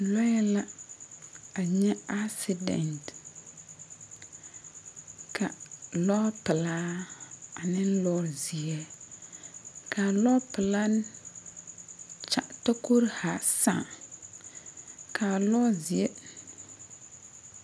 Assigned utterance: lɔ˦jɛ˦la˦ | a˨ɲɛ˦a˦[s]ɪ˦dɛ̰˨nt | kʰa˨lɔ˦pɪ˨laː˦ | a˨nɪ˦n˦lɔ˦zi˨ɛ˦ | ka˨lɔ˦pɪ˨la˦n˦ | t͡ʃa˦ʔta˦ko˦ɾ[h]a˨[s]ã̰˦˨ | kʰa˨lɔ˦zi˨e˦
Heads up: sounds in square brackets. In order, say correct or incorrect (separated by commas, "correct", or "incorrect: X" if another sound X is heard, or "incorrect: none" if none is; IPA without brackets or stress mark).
correct, correct, correct